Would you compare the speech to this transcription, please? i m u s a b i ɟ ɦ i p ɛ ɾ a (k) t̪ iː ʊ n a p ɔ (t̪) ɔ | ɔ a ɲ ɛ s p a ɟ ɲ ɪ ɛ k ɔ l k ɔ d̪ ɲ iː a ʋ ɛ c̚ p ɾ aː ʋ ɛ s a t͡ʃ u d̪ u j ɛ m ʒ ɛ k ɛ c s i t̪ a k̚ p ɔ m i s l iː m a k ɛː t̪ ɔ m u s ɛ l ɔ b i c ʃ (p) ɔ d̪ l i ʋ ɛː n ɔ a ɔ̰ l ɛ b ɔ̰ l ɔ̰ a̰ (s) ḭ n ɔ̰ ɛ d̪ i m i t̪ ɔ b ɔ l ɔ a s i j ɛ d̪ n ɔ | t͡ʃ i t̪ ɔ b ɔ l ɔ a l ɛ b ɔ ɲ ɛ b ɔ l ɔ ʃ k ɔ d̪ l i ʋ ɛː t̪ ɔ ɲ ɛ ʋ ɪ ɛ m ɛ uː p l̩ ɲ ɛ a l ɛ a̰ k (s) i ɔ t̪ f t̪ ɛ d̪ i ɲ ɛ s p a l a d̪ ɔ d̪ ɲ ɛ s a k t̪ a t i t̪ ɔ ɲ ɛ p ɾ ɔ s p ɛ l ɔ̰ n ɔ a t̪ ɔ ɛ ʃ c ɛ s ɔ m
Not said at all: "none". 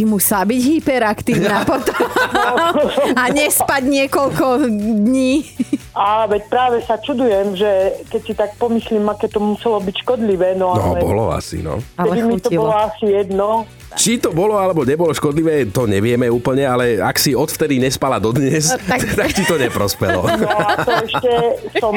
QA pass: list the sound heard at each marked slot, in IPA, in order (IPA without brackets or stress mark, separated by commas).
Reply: k, t̪, k, s, s